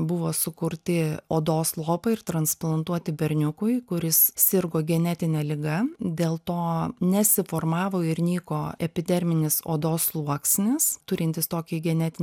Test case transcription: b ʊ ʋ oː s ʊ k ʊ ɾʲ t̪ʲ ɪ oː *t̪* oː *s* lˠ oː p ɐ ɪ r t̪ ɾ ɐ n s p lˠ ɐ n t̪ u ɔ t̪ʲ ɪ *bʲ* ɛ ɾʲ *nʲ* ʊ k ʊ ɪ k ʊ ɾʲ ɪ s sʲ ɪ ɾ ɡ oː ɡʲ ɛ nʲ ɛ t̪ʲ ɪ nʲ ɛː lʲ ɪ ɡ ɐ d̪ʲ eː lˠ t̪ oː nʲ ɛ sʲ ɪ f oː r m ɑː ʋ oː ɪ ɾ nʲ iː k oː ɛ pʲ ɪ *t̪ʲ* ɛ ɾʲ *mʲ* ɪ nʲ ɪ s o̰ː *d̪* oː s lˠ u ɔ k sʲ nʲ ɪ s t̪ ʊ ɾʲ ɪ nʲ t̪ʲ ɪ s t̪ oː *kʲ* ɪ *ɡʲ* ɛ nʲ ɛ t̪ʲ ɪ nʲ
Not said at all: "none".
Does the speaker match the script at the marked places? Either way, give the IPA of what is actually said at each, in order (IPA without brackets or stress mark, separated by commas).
d̪, s, bʲ, nʲ, d̪ʲ, mʲ, d̪, kʲ, ɡʲ